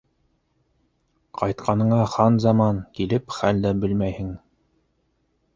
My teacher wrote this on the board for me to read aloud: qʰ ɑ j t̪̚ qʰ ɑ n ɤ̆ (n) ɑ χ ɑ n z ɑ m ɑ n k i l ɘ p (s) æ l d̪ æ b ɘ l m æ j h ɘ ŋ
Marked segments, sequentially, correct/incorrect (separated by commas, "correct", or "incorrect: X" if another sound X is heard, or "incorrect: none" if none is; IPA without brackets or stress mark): incorrect: ɴ, incorrect: χ